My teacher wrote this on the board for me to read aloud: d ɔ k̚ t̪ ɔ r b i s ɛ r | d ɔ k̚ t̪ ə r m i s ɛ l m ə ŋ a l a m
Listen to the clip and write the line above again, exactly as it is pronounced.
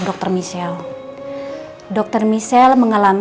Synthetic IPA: d ɔ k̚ t̪ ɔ r m i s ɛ l | d ɔ k̚ t̪ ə r m i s ɛ l m ə ŋ a l a m